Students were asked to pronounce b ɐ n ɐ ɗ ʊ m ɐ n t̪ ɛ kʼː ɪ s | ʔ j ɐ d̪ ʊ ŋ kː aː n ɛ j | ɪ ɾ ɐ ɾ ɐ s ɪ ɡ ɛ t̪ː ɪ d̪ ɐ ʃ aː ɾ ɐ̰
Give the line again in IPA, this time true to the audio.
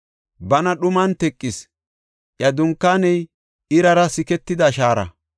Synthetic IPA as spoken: b ɐ n ɐ ɗ ʊ m ɐ n t̪ ɛ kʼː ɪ s | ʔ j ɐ d̪ ʊ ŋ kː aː n ɛ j | ɪ ɾ ɐ ɾ ɐ s ɪ k ɛ t̪ː ɪ d̪ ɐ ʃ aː ɾ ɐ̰